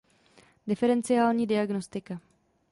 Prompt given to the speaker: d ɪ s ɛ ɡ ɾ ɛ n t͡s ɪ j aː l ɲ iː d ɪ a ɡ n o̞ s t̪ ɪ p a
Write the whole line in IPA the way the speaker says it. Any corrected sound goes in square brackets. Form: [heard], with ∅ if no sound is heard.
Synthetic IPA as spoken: d ɪ [f] ɛ [∅] ɾ ɛ n t͡s ɪ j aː l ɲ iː d ɪ a ɡ n o̞ s t̪ ɪ [k] a